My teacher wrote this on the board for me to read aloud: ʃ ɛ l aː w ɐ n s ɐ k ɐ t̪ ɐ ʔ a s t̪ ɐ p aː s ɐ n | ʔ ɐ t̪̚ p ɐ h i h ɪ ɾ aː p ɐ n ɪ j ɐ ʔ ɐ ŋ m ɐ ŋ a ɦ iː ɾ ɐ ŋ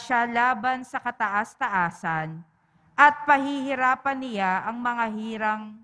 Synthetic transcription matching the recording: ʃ a l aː b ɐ n s ɐ k ɐ t̪ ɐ ʔ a s t̪ ɐ ʔ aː s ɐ n | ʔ ɐ t̪̚ p ɐ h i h ɪ ɾ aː p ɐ n ɪ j a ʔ ɐ ŋ m ɐ ŋ a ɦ iː ɾ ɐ ŋ